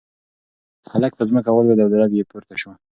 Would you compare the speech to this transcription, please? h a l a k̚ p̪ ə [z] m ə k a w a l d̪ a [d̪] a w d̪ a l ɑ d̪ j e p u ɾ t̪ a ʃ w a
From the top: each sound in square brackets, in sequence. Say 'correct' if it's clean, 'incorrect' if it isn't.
correct, correct

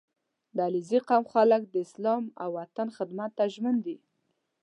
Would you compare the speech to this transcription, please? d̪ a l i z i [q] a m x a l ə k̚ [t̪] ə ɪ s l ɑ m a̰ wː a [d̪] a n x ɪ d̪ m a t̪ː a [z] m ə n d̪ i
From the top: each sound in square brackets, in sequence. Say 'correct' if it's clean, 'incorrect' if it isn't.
correct, incorrect, incorrect, incorrect

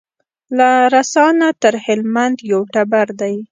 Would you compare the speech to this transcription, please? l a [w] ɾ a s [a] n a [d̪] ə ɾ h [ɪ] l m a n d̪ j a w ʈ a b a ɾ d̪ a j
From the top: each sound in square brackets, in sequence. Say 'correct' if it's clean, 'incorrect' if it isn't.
incorrect, incorrect, incorrect, correct

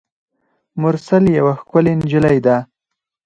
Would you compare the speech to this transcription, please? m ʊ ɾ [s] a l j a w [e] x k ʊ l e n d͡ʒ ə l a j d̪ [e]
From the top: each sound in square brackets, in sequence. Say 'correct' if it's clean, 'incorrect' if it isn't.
correct, incorrect, incorrect

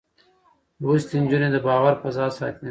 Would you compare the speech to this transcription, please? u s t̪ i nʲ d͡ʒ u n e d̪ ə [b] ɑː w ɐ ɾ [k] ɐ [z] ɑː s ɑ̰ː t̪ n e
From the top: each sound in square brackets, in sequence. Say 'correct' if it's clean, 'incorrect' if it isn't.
correct, incorrect, correct

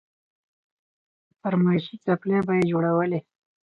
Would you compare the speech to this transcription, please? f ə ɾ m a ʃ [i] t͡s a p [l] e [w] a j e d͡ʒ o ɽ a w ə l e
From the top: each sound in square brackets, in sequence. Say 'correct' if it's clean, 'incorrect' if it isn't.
correct, correct, incorrect

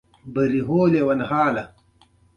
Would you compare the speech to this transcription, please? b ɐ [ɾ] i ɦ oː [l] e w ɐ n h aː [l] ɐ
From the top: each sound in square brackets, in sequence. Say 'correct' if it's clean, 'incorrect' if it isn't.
correct, correct, correct

